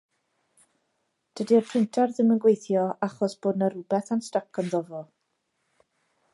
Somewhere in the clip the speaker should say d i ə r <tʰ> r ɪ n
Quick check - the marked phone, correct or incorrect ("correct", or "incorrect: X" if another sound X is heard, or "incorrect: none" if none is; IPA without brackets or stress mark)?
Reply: incorrect: pʰ